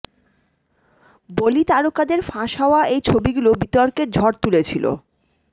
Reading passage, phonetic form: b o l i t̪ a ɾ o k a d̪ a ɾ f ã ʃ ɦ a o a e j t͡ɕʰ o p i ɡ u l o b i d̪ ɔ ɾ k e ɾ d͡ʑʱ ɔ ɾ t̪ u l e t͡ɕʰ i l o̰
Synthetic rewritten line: b o l i t̪ a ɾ o k a d̪ e ɾ f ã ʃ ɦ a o a e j t͡ɕʰ o b i ɡ u l o b i t̪ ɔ ɾ k e ɾ d͡ʑʱ ɔ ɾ t̪ u l e t͡ɕʰ i l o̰

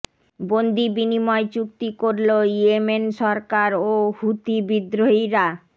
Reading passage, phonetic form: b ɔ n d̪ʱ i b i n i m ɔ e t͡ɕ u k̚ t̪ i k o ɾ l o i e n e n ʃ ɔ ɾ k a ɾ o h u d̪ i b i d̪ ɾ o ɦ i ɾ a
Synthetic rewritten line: b o n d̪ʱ i b i n i m ɔ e t͡ɕ u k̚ t̪ i k o ɾ l o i e m e n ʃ ɔ ɾ k a ɾ o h u t̪ i b i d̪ ɾ o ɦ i ɾ a

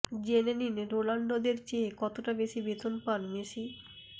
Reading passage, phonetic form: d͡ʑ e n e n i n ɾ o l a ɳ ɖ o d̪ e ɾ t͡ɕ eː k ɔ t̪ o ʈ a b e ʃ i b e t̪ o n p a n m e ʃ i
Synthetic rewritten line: d͡ʑ e n e n i n ɾ o l a ɳ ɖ o d̪ e ɾ t͡ɕ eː k ɔ t̪ o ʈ a b e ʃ i b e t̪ o n p a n m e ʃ i

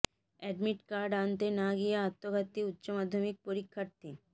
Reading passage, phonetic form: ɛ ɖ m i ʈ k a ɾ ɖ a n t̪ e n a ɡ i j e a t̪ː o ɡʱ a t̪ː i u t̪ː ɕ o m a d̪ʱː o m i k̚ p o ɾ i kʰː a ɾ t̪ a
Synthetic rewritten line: ɛ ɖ m i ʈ k a ɾ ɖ a n t̪ e n a ɡ i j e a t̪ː o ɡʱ a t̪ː i u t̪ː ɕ o m a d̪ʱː o m i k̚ p o ɾ i kʰː a ɾ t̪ i

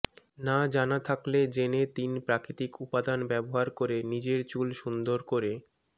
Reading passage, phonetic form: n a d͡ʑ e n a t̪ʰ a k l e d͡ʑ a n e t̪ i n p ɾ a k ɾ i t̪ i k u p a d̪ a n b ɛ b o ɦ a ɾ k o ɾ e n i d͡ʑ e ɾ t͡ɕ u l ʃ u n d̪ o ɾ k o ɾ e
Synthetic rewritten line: n a d͡ʑ a n a t̪ʰ a k l e d͡ʑ e n e t̪ i n p ɾ a k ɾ i t̪ i k u p a d̪ a n b ɛ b o ɦ a ɾ k o ɾ e n i d͡ʑ e ɾ t͡ɕ u l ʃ u n d̪ o ɾ k o ɾ e

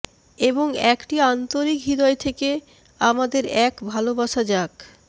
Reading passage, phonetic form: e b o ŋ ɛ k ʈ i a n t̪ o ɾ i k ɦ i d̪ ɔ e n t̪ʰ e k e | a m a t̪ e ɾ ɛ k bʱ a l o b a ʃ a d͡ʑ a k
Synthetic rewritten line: e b o ŋ ɛ k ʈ i a n t̪ o ɾ i k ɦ i d̪ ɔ e t̪ʰ e k e | a m a d̪ e ɾ ɛ k bʱ a l o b a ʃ a d͡ʑ a k

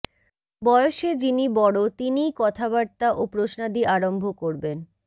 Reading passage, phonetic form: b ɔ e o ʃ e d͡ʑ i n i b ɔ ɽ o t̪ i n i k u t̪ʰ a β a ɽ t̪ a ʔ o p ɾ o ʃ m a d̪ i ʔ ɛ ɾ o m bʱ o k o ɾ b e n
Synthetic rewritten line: b ɔ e o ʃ e d͡ʑ i n i b ɔ ɽ o t̪ i n i k ɔ t̪ʰ a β a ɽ t̪ a ʔ o p ɾ o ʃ n a d̪ i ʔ a ɾ o m bʱ o k o ɾ b e n

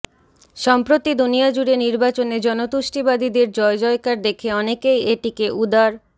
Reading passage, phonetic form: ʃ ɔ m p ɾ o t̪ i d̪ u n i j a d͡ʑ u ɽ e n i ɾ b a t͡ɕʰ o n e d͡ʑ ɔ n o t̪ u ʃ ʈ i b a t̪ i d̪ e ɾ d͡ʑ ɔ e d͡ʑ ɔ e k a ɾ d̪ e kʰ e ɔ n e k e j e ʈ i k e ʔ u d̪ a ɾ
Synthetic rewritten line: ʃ ɔ m p ɾ o t̪ i d̪ u n i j a d͡ʑ u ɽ e n i ɾ b a t͡ɕ o n e d͡ʑ ɔ n o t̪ u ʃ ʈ i b a d̪ i d̪ e ɾ d͡ʑ ɔ e d͡ʑ ɔ e k a ɾ d̪ e kʰ e ɔ n e k e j e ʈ i k e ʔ u d̪ a ɾ

